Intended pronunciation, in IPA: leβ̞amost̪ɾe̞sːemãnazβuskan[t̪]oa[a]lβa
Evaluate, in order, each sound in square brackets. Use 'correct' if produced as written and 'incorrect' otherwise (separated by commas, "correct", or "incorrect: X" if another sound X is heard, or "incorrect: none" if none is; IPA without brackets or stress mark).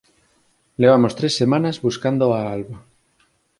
incorrect: d̪, correct